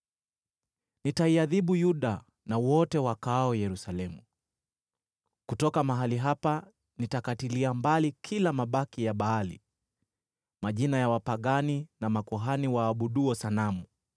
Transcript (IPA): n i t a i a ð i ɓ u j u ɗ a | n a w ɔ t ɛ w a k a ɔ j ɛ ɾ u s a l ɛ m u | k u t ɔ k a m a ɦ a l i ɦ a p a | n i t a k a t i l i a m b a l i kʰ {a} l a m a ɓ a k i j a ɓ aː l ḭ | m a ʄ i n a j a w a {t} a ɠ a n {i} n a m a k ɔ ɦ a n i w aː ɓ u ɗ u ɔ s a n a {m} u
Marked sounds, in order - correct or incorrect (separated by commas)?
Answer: incorrect, incorrect, correct, correct